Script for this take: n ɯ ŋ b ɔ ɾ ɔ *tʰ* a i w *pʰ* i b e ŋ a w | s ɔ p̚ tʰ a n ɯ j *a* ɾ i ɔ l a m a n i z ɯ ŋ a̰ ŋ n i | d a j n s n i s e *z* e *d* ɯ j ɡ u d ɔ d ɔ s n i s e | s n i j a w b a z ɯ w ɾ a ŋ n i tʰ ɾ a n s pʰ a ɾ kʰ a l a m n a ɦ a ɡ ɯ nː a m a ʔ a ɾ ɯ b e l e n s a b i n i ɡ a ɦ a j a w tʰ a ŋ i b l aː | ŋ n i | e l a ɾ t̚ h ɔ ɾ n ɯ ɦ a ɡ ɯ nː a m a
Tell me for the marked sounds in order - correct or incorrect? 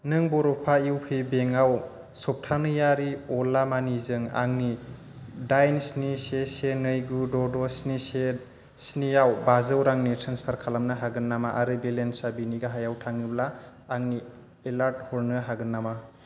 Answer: incorrect: pʰ, correct, correct, incorrect: s, incorrect: n

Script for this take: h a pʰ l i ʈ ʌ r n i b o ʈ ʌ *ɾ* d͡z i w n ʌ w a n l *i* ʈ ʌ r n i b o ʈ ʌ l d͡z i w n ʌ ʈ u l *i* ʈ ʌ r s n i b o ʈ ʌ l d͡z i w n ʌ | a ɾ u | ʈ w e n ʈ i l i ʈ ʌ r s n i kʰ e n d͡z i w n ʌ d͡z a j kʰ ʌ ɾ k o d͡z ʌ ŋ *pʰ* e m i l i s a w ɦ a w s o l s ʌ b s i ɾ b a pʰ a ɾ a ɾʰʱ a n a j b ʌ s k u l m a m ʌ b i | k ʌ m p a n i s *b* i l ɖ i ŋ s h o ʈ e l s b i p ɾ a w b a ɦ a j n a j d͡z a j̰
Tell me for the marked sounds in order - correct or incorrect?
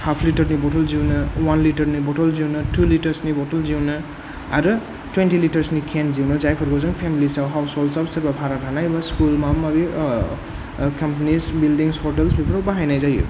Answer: incorrect: l, correct, correct, correct, correct

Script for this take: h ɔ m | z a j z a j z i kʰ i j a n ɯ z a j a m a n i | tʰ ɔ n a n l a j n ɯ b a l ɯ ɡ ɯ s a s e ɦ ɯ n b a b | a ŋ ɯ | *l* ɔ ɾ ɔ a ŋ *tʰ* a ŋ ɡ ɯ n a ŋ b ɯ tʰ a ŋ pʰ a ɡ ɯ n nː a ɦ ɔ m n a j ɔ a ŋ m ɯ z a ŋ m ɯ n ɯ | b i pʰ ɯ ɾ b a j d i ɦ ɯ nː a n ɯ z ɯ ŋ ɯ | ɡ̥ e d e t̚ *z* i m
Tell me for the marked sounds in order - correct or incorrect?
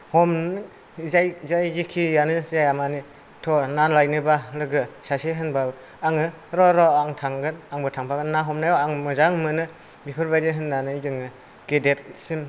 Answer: incorrect: ɾ, correct, incorrect: s

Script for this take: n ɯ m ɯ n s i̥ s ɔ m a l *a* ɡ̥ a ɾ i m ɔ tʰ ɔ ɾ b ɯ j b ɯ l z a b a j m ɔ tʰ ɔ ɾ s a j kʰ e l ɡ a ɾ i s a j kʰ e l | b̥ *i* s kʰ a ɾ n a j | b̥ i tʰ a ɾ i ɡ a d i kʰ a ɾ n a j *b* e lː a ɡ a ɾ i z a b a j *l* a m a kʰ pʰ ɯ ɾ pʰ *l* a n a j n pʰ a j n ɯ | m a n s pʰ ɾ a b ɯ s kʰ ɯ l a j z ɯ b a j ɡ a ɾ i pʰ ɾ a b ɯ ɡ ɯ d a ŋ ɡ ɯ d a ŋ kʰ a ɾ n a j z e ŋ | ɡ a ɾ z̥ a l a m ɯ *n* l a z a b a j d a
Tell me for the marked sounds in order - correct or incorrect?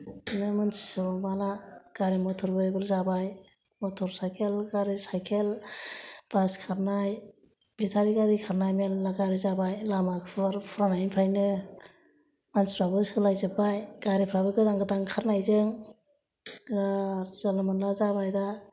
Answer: correct, incorrect: a, incorrect: m, correct, incorrect: ɾ, correct

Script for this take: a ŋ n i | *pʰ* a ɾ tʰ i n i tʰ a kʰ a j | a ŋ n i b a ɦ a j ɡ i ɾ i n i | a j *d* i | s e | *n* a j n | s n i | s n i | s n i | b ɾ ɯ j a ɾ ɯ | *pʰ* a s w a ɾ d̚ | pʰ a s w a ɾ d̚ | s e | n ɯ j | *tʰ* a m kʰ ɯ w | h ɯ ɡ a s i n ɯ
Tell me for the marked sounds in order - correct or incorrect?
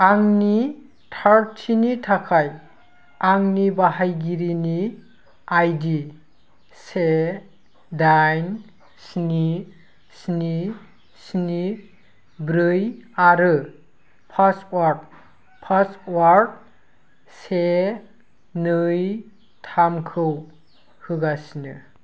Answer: incorrect: tʰ, correct, incorrect: d, correct, correct

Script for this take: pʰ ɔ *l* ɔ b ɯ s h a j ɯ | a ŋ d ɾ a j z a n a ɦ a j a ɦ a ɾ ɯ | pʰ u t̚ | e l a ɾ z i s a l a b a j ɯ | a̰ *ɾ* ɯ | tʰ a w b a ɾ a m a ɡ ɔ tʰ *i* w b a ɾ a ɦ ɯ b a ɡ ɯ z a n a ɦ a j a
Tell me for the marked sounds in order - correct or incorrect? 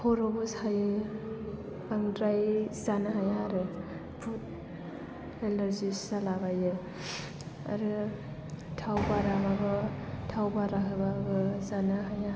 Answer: incorrect: ɾ, correct, incorrect: a

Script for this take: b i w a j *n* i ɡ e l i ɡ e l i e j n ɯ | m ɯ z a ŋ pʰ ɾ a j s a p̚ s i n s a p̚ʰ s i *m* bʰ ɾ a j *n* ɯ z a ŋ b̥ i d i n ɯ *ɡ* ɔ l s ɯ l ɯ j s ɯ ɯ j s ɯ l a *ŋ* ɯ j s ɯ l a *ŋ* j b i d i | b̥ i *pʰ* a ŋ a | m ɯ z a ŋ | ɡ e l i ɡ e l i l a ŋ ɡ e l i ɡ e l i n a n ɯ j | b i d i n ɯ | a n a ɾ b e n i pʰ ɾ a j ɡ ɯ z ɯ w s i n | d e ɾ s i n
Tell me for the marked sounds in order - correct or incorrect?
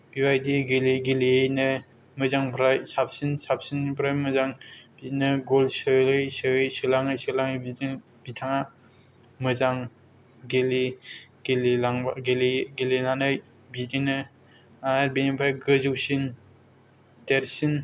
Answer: incorrect: d, incorrect: n, incorrect: m, correct, correct, correct, incorrect: tʰ

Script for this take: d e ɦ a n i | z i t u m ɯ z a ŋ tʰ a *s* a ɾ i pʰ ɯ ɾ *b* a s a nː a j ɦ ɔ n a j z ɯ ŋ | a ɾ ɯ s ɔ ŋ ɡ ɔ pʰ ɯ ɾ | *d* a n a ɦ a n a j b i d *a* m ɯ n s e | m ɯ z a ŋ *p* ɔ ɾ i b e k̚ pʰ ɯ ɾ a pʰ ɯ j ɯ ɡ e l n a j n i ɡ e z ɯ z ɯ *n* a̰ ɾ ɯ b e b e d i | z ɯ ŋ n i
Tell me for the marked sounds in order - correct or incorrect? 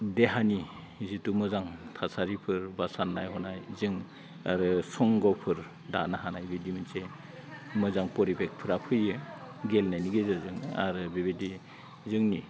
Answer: correct, correct, correct, incorrect: i, correct, incorrect: ŋ

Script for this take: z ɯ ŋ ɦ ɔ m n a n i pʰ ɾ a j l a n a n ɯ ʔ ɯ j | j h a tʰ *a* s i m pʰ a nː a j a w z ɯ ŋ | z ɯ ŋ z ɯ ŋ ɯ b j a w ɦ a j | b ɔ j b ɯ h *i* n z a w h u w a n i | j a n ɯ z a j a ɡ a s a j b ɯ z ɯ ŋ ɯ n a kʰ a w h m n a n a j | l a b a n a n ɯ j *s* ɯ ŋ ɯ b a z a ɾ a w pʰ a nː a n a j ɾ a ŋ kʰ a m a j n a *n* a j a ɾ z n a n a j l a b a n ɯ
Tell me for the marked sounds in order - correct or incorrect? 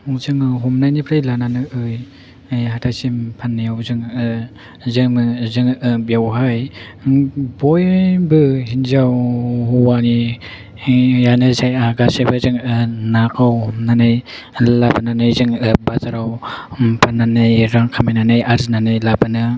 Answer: correct, correct, incorrect: z, correct

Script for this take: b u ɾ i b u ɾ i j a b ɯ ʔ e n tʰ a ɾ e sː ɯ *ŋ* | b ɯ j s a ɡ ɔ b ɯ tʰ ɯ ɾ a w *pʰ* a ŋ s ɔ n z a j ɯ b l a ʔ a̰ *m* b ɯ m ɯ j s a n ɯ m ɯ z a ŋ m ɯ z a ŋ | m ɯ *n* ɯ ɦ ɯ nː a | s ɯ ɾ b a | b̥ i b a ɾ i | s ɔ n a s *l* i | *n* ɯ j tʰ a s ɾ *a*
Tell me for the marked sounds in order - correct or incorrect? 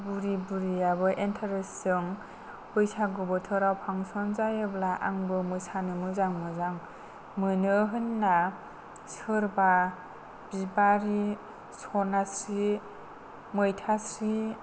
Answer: correct, correct, incorrect: ŋ, correct, incorrect: ɾ, incorrect: m, incorrect: i

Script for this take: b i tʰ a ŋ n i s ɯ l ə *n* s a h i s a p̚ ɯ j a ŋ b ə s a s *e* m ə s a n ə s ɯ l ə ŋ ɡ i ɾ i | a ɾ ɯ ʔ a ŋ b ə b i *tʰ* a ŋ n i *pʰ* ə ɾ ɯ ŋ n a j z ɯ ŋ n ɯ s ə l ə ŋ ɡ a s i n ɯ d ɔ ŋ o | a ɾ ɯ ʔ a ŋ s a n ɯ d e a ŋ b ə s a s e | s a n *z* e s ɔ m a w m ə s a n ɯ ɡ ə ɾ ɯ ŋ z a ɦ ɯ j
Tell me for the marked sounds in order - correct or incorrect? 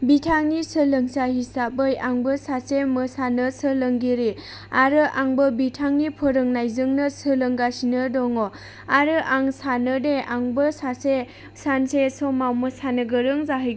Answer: incorrect: ŋ, correct, correct, correct, incorrect: s

